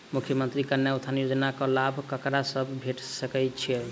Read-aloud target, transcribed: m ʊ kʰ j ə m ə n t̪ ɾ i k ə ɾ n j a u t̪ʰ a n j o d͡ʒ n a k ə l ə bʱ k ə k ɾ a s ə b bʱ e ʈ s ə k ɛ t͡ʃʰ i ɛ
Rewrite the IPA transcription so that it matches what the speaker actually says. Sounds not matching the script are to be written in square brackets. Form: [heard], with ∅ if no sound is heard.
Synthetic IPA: m [u] kʰ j ə m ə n t̪ ɾ i k ə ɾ n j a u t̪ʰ a n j o d͡ʒ n a k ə l [a] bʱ k ə k ɾ a s ə b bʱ e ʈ s ə k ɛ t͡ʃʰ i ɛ